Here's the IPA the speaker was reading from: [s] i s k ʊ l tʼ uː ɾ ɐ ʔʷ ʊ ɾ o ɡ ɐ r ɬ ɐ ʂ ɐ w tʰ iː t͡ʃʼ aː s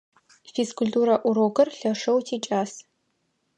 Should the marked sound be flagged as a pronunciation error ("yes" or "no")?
yes